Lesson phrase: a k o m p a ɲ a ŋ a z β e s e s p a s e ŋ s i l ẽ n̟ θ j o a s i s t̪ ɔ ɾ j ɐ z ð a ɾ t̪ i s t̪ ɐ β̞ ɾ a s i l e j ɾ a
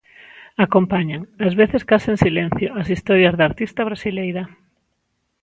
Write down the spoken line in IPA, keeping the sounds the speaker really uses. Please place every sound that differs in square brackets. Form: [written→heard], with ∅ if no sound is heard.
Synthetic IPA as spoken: a k o m p a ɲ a ŋ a z β e [s→θ] e s [p→k] a s e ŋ s i l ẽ n̟ θ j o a s i s t̪ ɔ ɾ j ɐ z ð a ɾ t̪ i s t̪ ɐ β̞ ɾ a s i l e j ɾ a